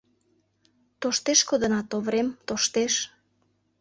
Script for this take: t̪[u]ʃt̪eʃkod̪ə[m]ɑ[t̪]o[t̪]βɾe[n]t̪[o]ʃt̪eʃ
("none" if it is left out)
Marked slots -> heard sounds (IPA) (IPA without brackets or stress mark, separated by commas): o, n, t̪, none, m, o